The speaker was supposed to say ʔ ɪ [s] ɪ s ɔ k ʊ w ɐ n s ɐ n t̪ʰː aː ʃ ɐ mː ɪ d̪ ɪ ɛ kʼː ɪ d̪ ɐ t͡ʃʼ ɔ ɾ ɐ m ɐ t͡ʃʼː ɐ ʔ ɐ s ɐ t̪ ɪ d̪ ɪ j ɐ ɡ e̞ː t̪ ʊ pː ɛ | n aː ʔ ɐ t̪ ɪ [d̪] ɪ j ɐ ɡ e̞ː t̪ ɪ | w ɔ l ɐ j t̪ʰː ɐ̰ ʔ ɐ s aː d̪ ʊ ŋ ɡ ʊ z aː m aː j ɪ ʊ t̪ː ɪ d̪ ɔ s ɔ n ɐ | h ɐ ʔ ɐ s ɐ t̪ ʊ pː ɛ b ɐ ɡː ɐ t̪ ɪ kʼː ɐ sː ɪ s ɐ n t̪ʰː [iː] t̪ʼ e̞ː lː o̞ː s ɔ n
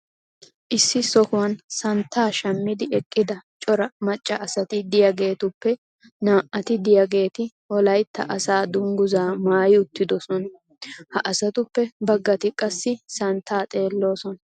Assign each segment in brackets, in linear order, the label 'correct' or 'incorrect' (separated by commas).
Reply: incorrect, correct, incorrect